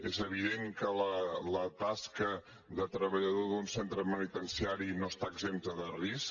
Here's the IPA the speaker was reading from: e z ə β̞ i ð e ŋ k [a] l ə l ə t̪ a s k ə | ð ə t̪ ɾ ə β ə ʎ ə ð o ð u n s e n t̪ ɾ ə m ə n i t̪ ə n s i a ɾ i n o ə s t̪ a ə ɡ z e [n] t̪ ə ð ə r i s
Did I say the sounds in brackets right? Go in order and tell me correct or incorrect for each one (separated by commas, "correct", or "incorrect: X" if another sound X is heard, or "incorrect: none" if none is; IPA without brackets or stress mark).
incorrect: ə, incorrect: m